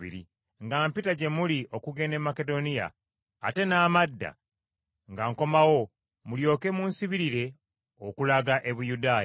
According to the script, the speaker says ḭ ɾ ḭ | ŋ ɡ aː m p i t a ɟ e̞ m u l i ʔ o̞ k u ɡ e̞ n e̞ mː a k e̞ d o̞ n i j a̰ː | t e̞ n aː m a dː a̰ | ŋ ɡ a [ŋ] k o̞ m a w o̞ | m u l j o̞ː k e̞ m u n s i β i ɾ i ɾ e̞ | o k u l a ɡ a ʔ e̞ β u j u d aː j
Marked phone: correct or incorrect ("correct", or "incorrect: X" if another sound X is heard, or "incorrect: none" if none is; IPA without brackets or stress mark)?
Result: correct